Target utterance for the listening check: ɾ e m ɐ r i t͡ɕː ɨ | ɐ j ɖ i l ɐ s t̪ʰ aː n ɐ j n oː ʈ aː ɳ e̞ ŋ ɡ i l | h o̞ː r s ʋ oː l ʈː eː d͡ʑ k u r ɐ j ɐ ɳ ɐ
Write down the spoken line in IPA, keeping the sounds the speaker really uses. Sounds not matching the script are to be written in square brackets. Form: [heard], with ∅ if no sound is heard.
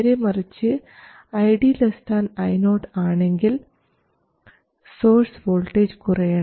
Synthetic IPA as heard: ɾ e m ɐ r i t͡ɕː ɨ | ɐ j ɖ i l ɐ s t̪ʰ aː n ɐ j n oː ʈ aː ɳ e̞ ŋ ɡ i l | [s] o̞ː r s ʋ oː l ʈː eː d͡ʑ k u r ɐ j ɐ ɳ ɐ